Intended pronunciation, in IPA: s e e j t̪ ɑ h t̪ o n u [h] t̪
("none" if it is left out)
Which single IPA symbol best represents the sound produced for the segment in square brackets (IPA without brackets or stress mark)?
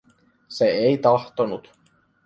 none